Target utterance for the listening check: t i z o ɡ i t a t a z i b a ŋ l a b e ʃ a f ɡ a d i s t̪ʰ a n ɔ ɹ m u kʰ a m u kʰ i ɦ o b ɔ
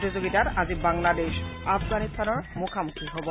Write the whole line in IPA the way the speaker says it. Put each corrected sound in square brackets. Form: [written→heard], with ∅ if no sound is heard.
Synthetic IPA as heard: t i z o ɡ i t a t a z i b a ŋ l a [b→d] e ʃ a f ɡ a [d→n] i s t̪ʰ a n ɔ ɹ m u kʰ a m u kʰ i ɦ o b ɔ